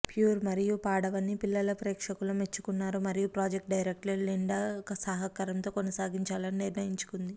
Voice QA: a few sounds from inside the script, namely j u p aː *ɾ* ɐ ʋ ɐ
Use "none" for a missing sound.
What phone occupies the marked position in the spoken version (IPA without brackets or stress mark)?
ɽ